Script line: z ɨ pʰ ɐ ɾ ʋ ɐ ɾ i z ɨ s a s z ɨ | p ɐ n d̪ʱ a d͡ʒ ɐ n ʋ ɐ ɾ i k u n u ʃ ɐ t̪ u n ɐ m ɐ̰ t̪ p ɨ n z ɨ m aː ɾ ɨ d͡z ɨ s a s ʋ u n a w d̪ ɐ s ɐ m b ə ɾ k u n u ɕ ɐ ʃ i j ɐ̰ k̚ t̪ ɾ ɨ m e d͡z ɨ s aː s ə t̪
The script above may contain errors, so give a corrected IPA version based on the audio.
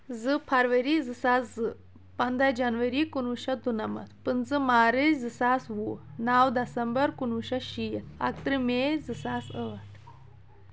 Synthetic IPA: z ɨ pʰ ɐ ɾ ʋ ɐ ɾ i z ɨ s a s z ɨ | p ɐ n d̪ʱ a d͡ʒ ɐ n ʋ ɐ ɾ i k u n u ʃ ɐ d̪ u n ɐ m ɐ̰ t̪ p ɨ n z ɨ m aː ɾ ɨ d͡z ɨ s a s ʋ u n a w d̪ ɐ s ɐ m b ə ɾ k u n u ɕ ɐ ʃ i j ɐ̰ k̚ t̪ ɾ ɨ m e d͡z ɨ s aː s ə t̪